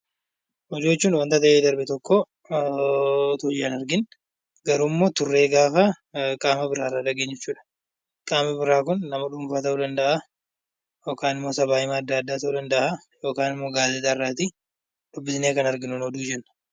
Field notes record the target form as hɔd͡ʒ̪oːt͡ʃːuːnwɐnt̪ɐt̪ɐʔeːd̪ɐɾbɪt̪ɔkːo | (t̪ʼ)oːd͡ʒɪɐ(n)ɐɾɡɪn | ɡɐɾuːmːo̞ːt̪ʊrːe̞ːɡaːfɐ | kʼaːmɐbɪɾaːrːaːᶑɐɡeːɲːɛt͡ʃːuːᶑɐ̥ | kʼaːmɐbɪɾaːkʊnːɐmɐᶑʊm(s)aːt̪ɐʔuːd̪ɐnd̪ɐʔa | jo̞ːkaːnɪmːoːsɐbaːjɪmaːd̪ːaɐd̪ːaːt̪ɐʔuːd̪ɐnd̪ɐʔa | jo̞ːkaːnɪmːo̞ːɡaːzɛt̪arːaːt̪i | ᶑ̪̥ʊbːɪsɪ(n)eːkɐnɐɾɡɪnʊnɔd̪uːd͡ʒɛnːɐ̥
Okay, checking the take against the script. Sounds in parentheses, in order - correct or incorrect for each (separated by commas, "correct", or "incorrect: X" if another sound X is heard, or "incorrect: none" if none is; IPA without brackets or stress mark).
incorrect: t̪, correct, incorrect: f, correct